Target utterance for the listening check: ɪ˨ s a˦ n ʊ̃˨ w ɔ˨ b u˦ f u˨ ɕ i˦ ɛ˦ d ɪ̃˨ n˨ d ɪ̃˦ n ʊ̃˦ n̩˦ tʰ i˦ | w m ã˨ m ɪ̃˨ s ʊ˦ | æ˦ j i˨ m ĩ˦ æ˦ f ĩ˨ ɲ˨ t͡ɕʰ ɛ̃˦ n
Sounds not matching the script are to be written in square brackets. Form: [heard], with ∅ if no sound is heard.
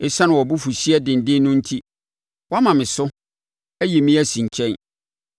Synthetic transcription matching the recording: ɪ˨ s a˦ n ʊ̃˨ w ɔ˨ b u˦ f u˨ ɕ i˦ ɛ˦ d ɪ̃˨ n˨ d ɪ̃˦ n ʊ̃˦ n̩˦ tʰ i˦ | w m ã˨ m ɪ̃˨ s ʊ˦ | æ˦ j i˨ m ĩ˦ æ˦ [s] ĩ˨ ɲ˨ t͡ɕʰ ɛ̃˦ n